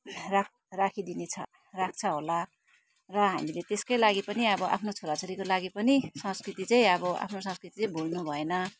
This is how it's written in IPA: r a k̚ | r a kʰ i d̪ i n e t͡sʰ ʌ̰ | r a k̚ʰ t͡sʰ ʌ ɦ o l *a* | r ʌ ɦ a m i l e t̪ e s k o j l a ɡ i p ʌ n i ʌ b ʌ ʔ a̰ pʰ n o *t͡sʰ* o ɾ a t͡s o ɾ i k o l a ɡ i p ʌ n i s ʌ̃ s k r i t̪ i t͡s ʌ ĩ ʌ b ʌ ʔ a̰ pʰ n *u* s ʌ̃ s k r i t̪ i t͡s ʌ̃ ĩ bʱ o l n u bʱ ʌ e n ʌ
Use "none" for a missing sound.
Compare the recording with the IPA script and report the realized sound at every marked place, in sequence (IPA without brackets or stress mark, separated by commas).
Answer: a, t͡sʰ, o